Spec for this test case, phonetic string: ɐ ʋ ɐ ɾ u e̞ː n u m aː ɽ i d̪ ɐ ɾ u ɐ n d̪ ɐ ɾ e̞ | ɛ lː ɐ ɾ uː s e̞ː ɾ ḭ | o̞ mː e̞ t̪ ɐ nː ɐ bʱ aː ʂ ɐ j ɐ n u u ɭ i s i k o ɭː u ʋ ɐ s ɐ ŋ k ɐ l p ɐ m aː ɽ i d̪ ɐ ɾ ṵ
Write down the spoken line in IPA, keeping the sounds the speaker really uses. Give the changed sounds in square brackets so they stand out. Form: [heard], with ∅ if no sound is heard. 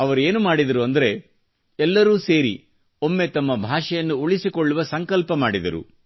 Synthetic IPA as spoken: ɐ ʋ ɐ ɾ u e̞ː n u m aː ɽ i d̪ ɐ ɾ u ɐ n d̪ ɐ ɾ e̞ | ɛ lː ɐ ɾ uː s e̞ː ɾ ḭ | o̞ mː e̞ t̪ ɐ [mː] ɐ bʱ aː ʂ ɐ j ɐ [nː] u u ɭ i s i k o ɭː u ʋ ɐ s ɐ ŋ k ɐ l p ɐ m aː ɽ i d̪ ɐ ɾ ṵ